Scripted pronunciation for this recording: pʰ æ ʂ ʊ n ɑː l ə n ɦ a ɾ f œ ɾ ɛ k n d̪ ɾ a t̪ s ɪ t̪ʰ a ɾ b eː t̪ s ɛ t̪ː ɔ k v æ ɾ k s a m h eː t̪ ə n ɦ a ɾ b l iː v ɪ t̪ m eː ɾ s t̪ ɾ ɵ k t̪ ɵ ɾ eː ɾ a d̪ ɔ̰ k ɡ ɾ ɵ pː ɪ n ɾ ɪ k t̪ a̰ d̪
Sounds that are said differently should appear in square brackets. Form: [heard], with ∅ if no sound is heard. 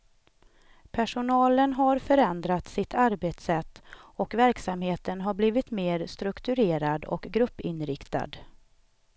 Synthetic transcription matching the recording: pʰ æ ʂ ʊ n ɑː l ə n ɦ a ɾ f œ ɾ ɛ [∅] n d̪ ɾ a t̪ s ɪ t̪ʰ a ɾ b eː t̪ s ɛ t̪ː ɔ k v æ ɾ k s a m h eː t̪ ə n ɦ a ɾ b l iː v ɪ t̪ m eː ɾ s t̪ ɾ ɵ k t̪ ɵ ɾ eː ɾ a d̪ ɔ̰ k ɡ ɾ ɵ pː ɪ n ɾ ɪ k t̪ a̰ d̪